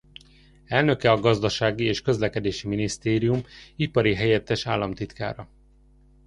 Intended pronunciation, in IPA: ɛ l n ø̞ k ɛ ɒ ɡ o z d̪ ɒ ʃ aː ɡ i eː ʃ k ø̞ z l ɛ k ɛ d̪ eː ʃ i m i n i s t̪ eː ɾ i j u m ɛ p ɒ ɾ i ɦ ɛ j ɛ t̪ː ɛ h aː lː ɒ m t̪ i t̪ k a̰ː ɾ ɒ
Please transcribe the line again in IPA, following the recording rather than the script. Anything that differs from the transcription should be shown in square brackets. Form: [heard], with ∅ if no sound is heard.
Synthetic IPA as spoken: ɛ l n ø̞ k ɛ ɒ ɡ [ɒ] z d̪ ɒ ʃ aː ɡ i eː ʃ k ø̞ z l ɛ k ɛ d̪ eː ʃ i m i n i s t̪ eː ɾ i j u m [i] p ɒ ɾ i ɦ ɛ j ɛ t̪ː ɛ [ʃ] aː lː ɒ m t̪ i t̪ k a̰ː ɾ ɒ